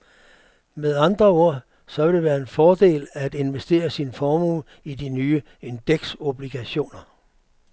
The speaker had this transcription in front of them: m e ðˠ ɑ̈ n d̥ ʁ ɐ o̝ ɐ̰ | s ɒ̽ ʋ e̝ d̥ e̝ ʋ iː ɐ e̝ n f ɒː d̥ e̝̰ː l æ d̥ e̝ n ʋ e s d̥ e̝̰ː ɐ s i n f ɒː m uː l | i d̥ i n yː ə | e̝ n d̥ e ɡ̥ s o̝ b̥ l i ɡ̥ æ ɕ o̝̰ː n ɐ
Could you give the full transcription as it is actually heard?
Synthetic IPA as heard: m e ðˠ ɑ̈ n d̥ ʁ ɐ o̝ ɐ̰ | s ɒ̽ ʋ e̝ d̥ e̝ ʋ æː ɐ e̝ n f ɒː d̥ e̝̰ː l æ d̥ e̝ n ʋ e s d̥ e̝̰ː ɐ s i n f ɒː m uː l | i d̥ i n yː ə | e̝ n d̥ e ɡ̥ s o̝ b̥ l i ɡ̥ æ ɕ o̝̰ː n ɐ